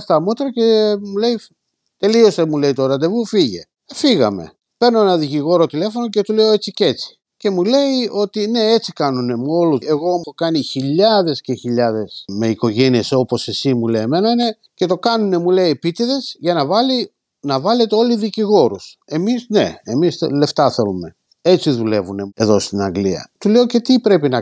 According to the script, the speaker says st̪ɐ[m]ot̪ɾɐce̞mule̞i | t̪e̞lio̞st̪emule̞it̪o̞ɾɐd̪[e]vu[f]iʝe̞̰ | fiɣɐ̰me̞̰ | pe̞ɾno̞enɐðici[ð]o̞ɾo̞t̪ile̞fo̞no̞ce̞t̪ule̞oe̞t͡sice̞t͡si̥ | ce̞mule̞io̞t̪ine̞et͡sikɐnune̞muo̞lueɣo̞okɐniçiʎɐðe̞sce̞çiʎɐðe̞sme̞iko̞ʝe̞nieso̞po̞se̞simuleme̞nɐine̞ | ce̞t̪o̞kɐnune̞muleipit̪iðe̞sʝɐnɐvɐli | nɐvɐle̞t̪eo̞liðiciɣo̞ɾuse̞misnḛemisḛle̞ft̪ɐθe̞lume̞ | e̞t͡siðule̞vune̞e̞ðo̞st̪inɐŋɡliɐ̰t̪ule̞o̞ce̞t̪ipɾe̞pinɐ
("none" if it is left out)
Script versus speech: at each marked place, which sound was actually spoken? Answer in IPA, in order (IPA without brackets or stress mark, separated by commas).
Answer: m, e, f, ɣ